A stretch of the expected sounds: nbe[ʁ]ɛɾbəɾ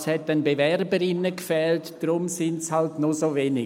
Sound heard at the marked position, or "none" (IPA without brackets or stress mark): v